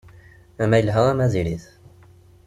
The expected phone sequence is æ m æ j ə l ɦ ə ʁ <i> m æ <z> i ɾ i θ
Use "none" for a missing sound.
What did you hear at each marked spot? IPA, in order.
æ, z

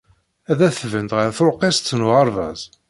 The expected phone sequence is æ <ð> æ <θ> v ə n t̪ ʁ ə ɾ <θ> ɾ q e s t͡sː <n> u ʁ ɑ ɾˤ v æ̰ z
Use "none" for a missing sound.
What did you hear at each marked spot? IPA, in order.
ð, θ, θ, n

